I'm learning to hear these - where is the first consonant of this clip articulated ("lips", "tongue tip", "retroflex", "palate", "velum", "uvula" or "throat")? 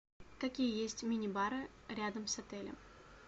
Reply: velum